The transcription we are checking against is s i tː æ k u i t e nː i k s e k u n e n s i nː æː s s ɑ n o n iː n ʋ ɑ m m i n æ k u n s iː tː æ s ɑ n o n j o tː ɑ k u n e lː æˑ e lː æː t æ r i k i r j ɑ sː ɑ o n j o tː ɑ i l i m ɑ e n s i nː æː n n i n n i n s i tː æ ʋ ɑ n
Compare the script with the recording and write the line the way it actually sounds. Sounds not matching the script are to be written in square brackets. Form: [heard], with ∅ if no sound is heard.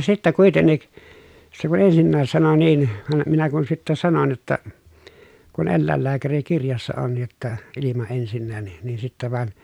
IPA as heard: s i tː æ k u i t e nː i k s e k u n e n s i nː æː s s ɑ n o n iː n ʋ ɑ m m i n æ k u n s [i] tː æ s ɑ n o n j o tː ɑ k u n e lː æˑ e lː æː [k] æ r i k i r j ɑ sː ɑ o n j o tː ɑ i l i m ɑ e n s i nː æː n n i n n i n s i tː æ ʋ ɑ n